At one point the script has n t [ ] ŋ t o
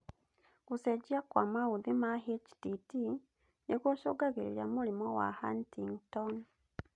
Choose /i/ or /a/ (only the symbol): i